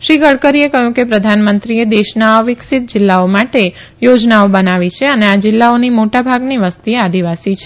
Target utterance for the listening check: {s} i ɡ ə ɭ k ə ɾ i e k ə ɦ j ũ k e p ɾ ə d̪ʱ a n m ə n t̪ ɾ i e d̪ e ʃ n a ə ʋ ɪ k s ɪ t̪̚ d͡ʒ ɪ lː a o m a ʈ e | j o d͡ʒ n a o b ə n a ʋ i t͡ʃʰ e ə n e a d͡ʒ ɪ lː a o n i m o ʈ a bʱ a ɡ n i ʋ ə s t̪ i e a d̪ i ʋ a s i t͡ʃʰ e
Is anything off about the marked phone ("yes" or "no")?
yes